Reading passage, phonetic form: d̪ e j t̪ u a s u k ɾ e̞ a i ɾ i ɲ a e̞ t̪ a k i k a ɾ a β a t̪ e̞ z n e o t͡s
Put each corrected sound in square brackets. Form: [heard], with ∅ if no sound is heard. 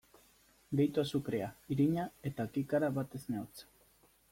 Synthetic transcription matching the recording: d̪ e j t̪ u a s u k ɾ e̞ a i ɾ i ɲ a e̞ t̪ a k i k a ɾ a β a t̪ e̞ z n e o t͡s